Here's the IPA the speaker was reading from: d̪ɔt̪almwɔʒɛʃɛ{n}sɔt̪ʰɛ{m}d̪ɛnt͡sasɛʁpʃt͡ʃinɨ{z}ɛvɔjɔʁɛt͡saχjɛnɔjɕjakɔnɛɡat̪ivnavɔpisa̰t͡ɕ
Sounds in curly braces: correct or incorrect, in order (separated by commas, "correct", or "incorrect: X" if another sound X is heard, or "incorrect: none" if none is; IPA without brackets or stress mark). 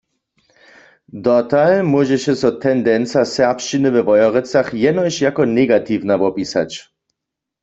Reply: incorrect: none, incorrect: n, incorrect: v